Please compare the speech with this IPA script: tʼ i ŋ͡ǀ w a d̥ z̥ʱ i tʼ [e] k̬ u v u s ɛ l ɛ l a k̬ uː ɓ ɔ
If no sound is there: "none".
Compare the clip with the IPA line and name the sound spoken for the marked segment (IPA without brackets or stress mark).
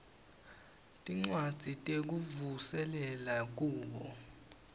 e